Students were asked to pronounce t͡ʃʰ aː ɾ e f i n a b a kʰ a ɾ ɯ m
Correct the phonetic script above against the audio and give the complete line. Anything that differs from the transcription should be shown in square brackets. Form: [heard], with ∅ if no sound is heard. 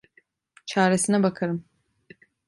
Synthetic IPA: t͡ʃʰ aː ɾ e [s] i n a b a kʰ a ɾ ɯ m